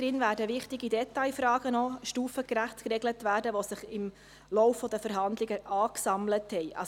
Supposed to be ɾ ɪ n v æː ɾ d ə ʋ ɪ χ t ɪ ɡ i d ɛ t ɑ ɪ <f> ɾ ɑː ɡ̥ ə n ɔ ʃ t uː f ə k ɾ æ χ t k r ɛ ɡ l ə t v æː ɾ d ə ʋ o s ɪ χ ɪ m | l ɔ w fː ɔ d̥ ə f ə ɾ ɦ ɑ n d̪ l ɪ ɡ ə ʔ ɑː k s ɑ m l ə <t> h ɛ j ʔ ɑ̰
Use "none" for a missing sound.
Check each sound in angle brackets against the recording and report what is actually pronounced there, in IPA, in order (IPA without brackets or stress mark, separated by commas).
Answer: f, t